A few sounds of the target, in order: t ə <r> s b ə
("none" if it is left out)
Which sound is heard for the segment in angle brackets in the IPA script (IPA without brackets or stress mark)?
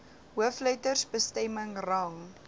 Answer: r